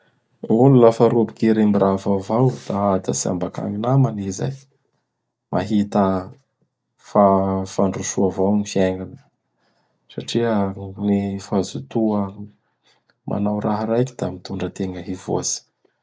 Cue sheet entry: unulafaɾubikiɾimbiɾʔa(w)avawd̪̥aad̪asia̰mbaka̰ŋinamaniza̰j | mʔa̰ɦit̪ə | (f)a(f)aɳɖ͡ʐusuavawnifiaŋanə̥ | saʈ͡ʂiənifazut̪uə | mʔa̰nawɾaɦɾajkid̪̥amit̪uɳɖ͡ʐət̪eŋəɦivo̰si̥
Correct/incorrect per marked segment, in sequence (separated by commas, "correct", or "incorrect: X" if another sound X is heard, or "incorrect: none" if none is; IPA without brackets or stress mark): incorrect: v, correct, correct